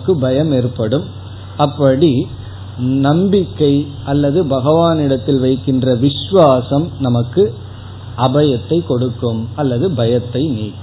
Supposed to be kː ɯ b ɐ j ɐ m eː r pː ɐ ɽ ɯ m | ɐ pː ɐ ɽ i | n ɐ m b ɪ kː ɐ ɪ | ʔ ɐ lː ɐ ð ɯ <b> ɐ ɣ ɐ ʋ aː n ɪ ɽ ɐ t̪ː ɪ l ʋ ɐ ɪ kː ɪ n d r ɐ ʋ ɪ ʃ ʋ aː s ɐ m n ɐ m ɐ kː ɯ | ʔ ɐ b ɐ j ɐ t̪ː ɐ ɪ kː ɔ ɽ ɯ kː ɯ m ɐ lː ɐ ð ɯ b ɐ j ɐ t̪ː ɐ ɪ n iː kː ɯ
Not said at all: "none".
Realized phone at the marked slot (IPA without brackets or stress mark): b